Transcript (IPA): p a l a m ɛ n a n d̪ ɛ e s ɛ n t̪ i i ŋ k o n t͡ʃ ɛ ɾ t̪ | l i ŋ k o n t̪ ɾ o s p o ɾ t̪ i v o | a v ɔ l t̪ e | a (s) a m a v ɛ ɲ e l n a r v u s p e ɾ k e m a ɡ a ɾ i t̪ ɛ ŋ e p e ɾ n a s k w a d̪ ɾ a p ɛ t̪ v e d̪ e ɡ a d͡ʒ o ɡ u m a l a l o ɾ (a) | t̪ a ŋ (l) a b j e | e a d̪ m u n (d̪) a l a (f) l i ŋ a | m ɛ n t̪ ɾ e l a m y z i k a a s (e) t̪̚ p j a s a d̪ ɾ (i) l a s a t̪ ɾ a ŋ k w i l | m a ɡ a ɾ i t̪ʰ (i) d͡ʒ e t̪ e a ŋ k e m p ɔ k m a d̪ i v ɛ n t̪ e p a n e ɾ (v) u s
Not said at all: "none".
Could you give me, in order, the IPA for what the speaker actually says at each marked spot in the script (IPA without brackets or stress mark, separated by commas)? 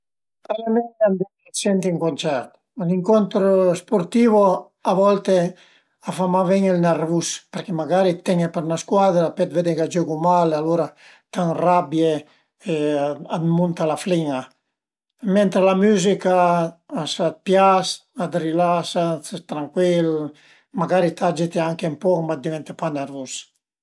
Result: f, a, r, t̪, f, a, i, a, v